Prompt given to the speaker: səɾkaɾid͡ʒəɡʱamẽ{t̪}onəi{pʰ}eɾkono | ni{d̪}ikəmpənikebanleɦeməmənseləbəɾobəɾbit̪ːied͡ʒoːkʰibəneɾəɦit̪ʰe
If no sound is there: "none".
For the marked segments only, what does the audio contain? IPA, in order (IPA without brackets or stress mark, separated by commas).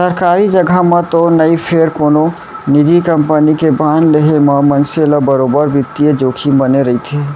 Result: t̪, pʰ, d̪